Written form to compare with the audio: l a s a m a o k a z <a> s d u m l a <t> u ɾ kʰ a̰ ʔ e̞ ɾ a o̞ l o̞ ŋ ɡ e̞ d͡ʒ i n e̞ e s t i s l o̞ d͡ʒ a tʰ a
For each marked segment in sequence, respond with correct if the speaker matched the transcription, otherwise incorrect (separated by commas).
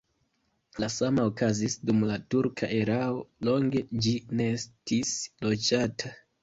incorrect, correct